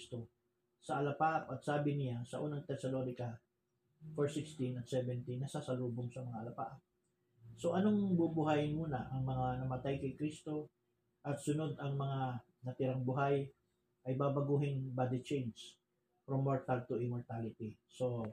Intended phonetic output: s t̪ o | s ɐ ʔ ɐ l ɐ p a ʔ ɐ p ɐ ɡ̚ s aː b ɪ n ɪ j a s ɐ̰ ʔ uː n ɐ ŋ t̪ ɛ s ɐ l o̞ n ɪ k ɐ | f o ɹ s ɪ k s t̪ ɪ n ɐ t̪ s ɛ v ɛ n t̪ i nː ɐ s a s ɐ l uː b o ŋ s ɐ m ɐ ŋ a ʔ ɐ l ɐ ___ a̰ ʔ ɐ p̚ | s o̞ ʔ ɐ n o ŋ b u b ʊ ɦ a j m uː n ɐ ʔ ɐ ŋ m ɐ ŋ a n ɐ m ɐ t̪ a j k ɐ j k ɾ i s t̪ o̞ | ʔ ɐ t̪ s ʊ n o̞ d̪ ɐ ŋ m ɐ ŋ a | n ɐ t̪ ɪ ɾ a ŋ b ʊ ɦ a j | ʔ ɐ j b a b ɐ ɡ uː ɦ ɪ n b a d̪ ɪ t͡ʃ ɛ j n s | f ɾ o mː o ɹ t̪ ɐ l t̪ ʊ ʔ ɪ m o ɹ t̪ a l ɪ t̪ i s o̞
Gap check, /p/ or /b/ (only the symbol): p